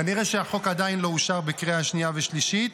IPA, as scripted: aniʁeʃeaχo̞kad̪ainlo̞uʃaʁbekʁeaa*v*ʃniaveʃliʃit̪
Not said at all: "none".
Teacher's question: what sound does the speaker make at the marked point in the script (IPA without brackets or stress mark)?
none